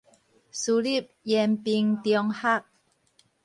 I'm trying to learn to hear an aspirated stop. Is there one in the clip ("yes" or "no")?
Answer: no